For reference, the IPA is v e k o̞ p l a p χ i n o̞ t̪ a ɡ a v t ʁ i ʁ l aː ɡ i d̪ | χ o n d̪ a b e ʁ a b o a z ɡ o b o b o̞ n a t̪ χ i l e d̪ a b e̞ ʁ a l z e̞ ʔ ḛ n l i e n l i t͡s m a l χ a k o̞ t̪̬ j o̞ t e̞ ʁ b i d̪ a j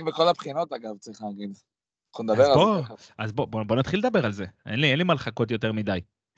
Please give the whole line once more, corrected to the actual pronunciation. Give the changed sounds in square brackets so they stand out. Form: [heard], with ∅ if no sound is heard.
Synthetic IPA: v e k o̞ [∅] l a p χ i n o̞ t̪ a ɡ a v [t͡s] ʁ i [χ] l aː ɡ i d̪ | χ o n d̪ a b e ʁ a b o a z [b] o b o b o̞ n a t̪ χ i l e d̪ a b e̞ ʁ a l z e̞ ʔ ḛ n l i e n l i [∅] m a l χ a k o̞ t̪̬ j o̞ t e̞ ʁ [m] i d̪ a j